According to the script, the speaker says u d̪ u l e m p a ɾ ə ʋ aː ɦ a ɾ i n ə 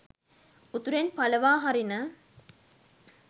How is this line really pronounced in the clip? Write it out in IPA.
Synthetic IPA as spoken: u t̪ u ɾ e n p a l ə ʋ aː ɦ a ɾ i n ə